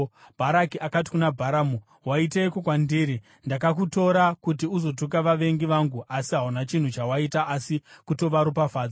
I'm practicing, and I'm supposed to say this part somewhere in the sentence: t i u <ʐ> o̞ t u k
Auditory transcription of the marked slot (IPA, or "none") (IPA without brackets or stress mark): z